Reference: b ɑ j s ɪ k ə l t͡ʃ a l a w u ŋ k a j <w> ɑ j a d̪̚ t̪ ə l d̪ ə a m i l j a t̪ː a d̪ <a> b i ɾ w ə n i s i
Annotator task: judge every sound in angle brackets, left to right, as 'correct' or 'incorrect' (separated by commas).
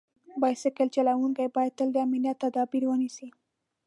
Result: incorrect, incorrect